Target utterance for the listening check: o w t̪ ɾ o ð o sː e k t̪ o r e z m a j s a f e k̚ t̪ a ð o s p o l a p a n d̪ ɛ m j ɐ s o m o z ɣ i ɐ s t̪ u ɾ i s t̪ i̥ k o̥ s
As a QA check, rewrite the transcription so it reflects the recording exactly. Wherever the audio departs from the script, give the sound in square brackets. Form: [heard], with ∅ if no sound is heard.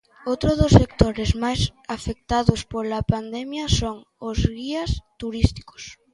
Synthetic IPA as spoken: o w t̪ ɾ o ð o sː e k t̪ o [ɾ] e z m a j s a f e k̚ t̪ a ð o s p o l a p a n d̪ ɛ m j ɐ s o [ŋ] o z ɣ i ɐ s t̪ u ɾ i s t̪ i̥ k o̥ s